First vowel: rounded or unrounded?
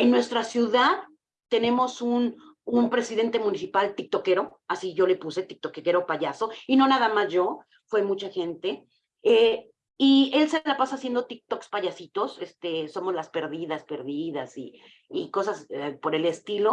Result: unrounded